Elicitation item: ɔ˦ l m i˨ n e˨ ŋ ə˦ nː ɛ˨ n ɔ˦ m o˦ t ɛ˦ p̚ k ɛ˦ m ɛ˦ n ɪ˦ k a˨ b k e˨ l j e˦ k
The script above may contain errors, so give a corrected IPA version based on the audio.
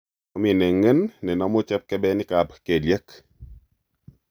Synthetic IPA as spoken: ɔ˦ m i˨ n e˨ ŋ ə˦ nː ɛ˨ n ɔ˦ m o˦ t͡ʃ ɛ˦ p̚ k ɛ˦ b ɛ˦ n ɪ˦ k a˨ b k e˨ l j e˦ k